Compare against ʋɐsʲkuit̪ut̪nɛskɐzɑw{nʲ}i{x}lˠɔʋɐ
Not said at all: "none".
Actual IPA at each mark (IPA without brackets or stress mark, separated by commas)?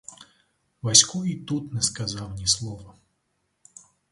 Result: nʲ, s